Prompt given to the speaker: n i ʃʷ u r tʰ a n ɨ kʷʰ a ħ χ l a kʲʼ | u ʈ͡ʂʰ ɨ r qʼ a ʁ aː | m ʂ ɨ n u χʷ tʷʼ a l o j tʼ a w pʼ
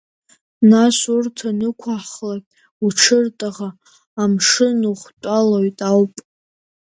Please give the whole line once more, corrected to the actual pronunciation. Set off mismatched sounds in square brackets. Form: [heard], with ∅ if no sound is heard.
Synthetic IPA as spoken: n [a] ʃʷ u r tʰ a n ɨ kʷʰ a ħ χ l a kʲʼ | u ʈ͡ʂʰ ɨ r [tʼ] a ʁ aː | m ʂ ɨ n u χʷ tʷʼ a l o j tʼ a w pʼ